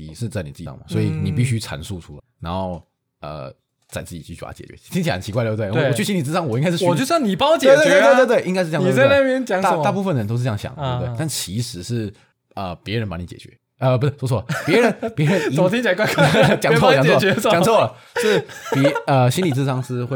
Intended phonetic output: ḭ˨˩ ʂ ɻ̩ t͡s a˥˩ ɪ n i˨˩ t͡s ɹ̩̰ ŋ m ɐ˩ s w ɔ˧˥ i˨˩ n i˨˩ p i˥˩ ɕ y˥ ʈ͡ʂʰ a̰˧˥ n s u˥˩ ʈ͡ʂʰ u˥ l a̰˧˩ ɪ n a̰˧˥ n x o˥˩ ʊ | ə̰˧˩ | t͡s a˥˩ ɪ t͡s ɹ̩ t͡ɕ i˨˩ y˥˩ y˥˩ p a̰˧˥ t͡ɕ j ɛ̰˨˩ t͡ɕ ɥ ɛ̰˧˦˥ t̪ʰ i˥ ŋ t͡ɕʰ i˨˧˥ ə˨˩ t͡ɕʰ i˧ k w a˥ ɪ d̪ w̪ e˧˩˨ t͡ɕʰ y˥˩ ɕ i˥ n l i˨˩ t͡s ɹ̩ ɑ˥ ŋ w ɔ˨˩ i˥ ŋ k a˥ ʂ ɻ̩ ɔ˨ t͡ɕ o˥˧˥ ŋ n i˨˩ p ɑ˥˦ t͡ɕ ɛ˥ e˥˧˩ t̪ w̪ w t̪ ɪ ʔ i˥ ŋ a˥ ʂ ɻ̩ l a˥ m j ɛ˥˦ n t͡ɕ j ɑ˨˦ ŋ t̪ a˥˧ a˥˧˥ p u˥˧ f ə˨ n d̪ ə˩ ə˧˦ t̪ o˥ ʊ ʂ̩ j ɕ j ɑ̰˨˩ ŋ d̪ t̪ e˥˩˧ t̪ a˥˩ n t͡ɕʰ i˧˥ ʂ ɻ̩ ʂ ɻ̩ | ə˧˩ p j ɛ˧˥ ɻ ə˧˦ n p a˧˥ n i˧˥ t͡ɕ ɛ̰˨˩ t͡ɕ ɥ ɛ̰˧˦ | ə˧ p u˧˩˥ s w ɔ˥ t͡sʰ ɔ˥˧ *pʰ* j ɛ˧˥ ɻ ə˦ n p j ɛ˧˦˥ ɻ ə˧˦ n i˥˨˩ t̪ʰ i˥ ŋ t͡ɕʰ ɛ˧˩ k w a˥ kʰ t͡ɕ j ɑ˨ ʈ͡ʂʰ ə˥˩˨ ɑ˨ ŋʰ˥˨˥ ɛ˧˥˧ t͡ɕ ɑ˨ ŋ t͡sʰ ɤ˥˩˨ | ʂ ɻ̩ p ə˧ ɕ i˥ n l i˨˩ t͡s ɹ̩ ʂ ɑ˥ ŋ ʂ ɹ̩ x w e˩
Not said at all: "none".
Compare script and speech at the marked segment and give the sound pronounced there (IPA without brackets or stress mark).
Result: p